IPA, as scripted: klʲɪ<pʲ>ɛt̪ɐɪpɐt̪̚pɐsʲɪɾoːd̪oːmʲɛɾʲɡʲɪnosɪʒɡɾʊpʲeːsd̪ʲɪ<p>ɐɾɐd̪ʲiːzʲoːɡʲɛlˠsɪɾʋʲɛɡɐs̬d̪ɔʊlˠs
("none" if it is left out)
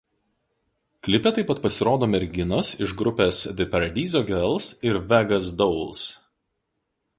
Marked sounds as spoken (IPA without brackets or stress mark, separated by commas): pʲ, p